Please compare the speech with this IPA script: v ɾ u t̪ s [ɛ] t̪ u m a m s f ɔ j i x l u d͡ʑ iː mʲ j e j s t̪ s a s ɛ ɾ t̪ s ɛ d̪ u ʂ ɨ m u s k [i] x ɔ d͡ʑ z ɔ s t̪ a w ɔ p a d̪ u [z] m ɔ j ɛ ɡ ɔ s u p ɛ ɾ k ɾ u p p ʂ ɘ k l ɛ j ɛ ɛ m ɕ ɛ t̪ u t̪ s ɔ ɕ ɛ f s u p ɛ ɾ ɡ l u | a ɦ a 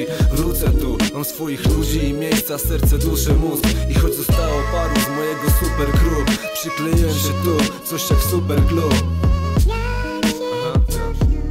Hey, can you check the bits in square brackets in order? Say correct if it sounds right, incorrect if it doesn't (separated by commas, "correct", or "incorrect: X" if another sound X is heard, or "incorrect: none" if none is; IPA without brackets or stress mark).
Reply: correct, correct, correct